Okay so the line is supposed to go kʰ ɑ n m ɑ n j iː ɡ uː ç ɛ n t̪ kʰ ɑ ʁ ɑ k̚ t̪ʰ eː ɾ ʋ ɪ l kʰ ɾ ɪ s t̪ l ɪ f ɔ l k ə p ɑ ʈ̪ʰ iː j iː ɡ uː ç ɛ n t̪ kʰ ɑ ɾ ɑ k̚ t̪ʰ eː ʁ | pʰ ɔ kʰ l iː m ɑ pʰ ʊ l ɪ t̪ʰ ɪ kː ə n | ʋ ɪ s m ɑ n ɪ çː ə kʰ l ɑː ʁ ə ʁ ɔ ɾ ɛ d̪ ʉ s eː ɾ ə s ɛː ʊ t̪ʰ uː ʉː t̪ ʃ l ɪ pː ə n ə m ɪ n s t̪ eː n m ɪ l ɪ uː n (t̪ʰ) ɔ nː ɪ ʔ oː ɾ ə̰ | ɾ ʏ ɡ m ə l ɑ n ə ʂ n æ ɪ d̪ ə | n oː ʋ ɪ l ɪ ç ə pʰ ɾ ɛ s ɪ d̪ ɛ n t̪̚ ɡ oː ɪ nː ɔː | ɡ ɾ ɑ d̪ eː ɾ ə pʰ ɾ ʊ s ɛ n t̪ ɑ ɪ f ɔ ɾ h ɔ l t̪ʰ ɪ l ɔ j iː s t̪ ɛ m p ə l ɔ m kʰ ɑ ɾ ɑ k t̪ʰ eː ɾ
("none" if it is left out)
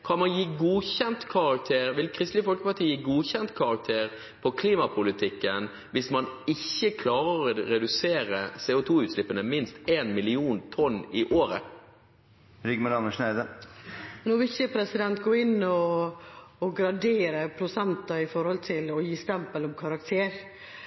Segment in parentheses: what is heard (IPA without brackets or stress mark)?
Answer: t̪ʰ